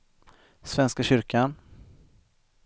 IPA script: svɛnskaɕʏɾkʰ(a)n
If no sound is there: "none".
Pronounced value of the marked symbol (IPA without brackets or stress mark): a